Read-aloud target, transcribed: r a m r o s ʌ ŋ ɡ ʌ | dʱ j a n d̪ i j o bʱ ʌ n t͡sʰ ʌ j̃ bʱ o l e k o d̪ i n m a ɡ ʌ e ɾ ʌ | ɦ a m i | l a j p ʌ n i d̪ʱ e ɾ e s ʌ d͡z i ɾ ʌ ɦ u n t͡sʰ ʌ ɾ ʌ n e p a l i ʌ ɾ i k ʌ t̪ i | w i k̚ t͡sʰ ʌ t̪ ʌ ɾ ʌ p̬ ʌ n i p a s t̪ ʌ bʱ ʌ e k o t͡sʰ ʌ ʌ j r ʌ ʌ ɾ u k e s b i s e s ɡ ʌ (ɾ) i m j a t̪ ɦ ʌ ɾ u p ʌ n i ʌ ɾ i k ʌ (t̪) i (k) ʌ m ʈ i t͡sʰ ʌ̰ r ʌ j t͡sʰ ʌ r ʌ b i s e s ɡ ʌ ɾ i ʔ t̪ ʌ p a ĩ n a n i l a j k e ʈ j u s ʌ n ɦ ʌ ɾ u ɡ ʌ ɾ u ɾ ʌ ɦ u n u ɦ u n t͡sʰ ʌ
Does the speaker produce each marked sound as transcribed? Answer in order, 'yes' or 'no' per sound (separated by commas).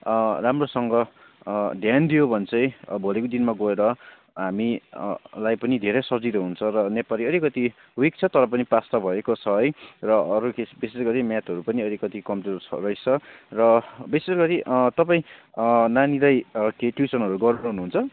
yes, yes, yes